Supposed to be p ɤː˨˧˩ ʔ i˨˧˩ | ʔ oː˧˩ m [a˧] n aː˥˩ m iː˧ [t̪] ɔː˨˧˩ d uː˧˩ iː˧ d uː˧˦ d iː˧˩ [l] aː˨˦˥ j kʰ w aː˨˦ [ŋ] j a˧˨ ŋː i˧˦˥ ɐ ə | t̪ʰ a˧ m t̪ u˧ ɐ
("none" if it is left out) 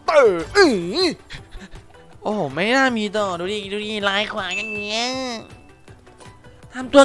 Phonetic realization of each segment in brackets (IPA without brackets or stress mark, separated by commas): a˥˩, t̪, l, ŋ